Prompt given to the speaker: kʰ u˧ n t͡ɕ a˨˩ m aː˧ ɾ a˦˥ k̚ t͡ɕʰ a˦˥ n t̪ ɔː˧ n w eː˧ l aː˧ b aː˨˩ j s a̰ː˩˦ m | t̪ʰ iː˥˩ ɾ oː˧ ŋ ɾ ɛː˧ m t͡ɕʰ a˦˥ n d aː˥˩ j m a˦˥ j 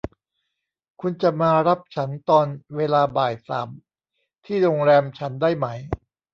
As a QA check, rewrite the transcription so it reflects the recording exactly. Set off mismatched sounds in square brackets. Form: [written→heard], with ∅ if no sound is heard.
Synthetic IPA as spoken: kʰ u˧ n t͡ɕ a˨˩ m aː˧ ɾ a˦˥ [k̚→p̚] t͡ɕʰ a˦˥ n t̪ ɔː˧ n w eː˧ l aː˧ b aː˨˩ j s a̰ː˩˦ m | t̪ʰ iː˥˩ ɾ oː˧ ŋ ɾ ɛː˧ m t͡ɕʰ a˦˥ n d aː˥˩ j m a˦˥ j